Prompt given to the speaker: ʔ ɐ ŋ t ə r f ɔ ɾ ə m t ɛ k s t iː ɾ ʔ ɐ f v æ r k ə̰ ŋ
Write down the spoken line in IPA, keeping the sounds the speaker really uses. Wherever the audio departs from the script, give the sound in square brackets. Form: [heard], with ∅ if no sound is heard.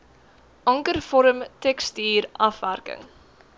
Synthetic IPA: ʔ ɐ ŋ [k] ə r f ɔ ɾ ə m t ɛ k s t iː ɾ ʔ ɐ f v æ r k ə̰ ŋ